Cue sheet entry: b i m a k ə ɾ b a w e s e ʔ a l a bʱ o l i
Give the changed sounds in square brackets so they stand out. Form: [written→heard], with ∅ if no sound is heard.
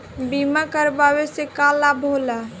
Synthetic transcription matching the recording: b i m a k ə ɾ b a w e s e [ʔ→k] a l a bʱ o l [i→a]